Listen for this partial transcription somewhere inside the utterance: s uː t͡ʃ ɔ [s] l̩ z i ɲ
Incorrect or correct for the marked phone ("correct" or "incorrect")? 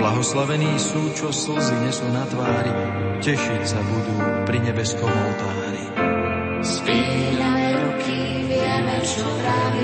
correct